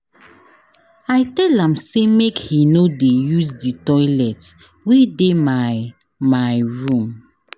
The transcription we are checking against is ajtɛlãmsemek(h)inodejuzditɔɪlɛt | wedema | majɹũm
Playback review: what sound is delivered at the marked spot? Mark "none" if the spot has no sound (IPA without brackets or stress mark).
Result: h